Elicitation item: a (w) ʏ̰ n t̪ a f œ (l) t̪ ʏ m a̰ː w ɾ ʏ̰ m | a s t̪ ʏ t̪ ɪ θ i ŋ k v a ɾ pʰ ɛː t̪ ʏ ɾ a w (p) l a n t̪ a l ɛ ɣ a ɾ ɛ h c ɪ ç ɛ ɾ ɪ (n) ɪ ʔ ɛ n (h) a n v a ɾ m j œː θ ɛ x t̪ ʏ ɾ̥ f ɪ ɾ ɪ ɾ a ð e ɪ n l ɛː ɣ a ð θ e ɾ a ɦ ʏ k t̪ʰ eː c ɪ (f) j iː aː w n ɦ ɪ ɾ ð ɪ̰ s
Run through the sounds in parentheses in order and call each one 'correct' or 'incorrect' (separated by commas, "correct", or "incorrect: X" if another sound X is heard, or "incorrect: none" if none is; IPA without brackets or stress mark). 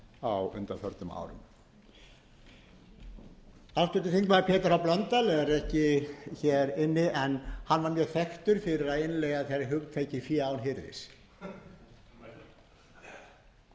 correct, incorrect: ɾ, correct, incorrect: nː, correct, correct